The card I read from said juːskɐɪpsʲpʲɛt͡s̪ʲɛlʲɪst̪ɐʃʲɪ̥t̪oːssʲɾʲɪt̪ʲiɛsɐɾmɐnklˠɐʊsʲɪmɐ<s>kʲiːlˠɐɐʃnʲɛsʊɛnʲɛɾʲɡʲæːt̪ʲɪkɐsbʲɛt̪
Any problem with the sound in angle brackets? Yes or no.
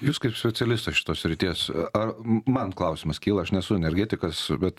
no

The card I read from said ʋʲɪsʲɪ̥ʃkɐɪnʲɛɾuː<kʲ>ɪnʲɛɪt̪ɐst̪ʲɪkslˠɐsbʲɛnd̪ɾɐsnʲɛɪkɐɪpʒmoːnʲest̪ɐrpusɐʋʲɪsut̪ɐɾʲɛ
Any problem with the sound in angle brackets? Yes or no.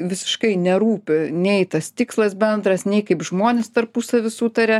yes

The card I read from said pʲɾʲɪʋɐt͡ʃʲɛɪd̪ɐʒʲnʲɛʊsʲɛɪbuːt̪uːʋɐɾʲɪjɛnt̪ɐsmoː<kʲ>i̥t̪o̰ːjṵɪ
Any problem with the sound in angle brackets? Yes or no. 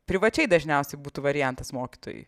no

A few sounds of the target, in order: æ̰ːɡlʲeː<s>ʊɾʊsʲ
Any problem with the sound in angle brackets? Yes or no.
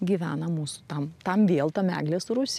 no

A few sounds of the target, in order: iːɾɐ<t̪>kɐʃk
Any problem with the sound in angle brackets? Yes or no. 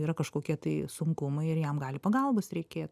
yes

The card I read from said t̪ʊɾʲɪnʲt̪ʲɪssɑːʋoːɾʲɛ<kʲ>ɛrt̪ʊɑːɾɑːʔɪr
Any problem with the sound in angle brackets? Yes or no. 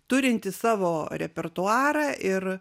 yes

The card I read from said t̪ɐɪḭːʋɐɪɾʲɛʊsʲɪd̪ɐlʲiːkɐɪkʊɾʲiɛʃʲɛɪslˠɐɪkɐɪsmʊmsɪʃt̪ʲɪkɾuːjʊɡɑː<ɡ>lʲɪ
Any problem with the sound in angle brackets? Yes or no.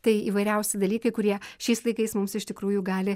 yes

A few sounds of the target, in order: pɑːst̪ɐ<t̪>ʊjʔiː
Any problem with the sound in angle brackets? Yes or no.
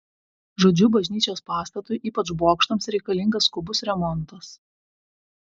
no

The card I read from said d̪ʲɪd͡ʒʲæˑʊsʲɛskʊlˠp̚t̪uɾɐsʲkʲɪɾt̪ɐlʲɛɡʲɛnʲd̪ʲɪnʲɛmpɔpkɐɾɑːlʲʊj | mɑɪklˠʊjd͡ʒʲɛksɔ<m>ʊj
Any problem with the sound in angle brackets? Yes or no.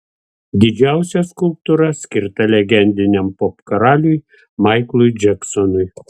yes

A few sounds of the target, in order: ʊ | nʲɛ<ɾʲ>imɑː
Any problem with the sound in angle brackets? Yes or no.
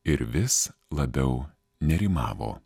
no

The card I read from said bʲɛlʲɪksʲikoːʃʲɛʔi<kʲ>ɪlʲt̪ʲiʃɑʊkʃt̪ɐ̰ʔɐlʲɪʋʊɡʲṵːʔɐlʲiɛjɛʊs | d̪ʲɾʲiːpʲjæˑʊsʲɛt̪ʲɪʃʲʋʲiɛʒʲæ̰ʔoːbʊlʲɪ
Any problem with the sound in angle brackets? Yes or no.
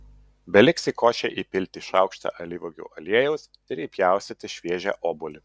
yes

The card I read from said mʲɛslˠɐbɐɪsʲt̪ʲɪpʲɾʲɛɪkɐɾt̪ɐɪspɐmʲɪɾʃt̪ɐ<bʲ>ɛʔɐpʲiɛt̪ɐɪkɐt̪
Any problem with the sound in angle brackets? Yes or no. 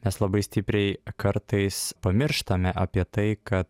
yes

